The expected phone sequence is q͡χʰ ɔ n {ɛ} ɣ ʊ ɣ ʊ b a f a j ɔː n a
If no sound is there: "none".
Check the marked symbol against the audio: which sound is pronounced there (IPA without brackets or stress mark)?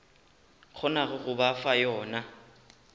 a